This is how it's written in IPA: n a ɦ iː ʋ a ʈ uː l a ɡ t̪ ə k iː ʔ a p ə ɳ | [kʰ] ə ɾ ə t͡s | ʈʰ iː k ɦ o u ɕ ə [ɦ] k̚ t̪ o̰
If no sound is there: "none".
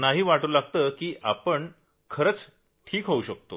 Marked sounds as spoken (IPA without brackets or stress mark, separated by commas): kʰ, none